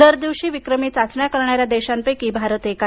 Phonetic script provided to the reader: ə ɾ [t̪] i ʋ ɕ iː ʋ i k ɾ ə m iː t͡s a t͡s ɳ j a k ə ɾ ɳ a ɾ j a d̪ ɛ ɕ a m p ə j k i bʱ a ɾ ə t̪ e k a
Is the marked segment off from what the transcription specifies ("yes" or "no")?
yes